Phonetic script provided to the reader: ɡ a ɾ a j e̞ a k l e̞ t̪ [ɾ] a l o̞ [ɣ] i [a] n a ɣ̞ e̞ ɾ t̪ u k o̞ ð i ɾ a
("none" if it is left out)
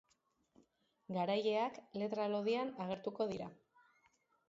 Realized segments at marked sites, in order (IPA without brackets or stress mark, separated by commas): ɾ, ð, a